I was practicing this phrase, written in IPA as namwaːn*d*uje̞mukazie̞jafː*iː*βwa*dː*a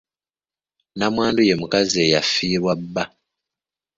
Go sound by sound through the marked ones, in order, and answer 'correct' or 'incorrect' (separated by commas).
correct, correct, incorrect